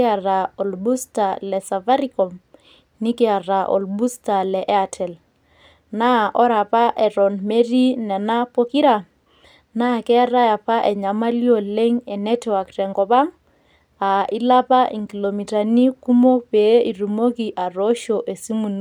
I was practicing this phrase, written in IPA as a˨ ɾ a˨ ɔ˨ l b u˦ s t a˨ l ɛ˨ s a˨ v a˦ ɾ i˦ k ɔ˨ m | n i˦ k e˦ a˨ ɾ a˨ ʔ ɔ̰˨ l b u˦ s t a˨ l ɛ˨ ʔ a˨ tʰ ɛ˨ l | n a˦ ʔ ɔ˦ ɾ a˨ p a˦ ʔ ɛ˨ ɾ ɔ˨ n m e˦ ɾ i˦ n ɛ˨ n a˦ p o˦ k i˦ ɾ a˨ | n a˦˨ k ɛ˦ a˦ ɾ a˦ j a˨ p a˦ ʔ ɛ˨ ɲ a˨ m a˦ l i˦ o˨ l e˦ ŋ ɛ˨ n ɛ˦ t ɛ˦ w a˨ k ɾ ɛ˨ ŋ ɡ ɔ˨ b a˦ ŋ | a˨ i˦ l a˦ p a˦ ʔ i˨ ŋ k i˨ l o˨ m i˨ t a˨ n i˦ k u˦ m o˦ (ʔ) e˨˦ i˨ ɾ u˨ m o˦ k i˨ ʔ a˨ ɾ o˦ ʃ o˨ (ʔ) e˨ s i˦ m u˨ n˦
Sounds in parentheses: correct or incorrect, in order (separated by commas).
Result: incorrect, correct